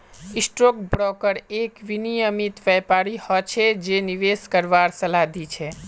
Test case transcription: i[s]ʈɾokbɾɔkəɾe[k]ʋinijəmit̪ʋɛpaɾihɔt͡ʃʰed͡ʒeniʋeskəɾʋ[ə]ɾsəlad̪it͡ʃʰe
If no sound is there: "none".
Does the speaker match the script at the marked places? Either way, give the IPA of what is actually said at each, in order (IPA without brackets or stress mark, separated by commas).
s, k, a